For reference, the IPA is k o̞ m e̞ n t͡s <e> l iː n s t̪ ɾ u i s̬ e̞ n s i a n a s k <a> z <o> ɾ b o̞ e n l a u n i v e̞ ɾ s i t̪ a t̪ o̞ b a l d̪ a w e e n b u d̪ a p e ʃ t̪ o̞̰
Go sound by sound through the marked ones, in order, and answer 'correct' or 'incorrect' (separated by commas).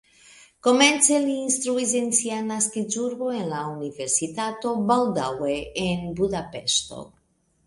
correct, incorrect, incorrect